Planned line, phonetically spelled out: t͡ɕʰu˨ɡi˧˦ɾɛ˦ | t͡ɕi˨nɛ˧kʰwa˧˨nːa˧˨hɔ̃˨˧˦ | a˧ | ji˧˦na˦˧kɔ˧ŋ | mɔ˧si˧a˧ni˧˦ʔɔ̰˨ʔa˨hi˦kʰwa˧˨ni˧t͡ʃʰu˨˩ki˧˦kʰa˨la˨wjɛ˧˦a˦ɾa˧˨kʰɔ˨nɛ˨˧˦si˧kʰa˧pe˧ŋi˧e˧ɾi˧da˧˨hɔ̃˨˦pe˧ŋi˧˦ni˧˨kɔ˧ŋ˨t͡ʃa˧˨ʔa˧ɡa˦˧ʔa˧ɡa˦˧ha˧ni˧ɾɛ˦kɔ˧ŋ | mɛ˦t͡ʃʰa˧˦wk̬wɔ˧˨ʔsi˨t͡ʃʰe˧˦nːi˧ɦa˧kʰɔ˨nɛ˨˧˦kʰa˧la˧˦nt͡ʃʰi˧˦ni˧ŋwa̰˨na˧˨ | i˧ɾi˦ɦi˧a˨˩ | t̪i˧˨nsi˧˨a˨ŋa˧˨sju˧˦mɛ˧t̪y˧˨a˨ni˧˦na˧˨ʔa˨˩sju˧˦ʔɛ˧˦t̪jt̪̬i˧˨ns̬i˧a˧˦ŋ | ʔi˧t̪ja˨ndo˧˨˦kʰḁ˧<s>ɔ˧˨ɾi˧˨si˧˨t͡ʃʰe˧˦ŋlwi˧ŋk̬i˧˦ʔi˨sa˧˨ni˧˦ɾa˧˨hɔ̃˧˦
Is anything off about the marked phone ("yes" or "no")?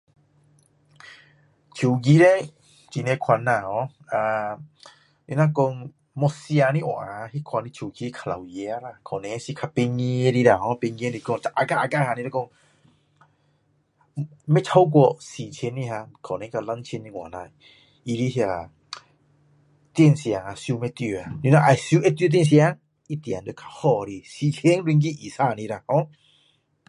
yes